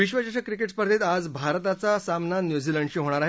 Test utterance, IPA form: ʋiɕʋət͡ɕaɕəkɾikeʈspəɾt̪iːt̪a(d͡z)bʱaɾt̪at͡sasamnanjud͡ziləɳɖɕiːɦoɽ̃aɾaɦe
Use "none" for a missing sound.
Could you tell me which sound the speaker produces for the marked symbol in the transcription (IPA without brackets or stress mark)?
d͡z